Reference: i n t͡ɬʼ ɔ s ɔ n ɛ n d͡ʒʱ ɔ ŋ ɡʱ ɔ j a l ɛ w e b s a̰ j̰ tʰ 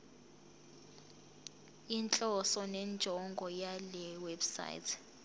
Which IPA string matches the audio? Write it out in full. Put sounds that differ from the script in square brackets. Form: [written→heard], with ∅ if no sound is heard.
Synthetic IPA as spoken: i n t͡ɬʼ ɔ s ɔ n ɛ n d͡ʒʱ ɔ ŋ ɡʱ ɔ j a l ɛ w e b s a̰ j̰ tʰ